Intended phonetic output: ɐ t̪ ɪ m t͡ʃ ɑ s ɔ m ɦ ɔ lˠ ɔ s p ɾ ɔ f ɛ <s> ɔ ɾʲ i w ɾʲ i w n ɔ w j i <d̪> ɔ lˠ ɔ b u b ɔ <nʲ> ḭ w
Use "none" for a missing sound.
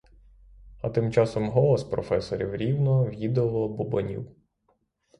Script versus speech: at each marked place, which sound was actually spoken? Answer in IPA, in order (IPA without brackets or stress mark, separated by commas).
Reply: s, d̪, nʲ